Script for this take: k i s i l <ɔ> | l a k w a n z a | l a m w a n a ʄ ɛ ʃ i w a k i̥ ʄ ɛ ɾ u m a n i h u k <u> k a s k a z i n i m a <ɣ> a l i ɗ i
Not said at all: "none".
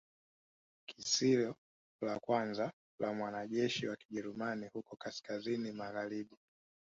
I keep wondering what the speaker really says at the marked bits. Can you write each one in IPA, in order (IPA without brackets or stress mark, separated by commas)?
ɔ, ɔ, ɣ